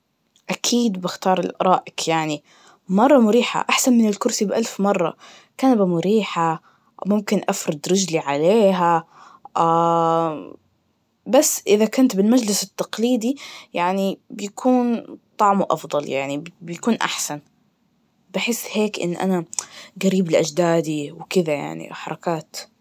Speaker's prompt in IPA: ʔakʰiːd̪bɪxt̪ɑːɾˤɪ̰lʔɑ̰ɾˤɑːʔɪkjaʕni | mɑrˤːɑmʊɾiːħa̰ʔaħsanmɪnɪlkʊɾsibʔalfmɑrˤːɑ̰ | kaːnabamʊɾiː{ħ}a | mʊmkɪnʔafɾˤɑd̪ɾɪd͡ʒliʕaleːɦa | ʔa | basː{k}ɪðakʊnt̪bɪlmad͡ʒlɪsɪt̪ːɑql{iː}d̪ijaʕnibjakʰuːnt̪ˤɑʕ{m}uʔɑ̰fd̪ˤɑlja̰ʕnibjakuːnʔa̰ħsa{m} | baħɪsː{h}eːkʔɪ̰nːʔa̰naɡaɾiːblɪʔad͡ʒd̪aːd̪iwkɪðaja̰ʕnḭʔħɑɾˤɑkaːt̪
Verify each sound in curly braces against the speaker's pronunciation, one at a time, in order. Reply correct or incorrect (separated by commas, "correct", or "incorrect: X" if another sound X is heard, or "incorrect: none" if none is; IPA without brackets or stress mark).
correct, incorrect: ʔ, correct, correct, incorrect: n, correct